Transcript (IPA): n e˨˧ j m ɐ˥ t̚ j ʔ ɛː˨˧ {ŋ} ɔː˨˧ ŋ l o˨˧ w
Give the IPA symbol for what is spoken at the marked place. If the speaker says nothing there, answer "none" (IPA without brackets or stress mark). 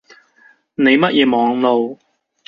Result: m